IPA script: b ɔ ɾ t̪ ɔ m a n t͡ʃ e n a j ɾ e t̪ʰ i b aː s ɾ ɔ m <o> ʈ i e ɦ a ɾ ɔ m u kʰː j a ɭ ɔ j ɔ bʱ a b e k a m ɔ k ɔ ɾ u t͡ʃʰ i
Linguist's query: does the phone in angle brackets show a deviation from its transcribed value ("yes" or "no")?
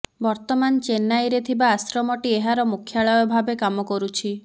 yes